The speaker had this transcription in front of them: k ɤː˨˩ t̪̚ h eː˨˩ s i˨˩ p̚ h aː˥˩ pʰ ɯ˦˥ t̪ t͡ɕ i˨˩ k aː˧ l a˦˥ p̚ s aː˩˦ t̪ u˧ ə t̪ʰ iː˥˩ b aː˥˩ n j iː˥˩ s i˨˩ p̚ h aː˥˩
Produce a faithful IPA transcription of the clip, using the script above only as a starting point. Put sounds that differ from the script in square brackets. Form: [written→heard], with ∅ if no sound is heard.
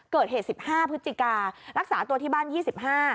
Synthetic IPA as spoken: k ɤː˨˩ t̪̚ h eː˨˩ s i˨˩ p̚ h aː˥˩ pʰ ɯ˦˥ t̪ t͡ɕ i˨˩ k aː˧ [l→ɾ] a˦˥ [p̚→k̚] s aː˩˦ t̪ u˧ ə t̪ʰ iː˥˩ b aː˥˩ n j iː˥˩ s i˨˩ p̚ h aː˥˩